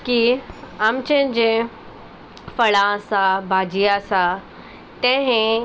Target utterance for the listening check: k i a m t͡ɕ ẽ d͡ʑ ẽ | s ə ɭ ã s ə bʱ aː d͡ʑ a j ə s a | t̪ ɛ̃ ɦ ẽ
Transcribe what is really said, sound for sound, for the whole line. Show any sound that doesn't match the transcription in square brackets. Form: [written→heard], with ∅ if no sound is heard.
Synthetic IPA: k i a m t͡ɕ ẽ d͡ʑ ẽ | [s→f] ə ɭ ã s [ə→a] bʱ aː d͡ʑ [a→i] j [ə→a] s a | t̪ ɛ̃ ɦ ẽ